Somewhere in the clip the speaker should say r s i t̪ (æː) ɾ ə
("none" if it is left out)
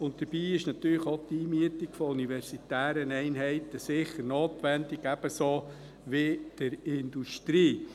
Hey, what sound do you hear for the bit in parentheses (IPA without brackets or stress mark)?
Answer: æː